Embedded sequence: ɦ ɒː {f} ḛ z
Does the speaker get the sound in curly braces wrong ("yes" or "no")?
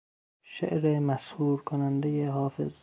no